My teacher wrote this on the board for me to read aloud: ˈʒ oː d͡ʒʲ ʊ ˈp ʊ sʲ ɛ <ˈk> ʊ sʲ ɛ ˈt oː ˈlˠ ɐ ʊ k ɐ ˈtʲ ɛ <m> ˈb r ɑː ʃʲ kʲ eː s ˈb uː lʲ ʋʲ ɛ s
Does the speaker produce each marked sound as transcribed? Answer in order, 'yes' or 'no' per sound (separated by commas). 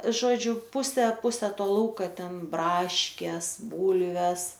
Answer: no, no